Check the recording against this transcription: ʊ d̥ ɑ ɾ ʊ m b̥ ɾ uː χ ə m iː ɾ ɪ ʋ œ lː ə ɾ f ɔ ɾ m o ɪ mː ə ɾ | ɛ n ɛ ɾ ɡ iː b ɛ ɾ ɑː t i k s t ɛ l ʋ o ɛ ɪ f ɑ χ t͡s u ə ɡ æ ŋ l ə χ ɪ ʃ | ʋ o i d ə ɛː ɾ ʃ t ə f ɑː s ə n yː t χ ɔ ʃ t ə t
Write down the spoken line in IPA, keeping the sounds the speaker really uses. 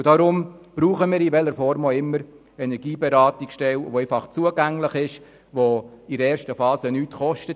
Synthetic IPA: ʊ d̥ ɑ ɾ ʊ m b̥ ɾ uː χ ə m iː ɾ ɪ ʋ ɛ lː ə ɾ f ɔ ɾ m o ɪ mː ə ɾ | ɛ n ɛ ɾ ɡ iː b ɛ ɾ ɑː t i k ʃ t ɛ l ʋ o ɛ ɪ f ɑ χ t͡s u ə ɡ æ ŋ l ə χ ɪ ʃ | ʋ o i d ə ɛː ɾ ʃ t ə f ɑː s ə n yː t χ ɔ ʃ t ə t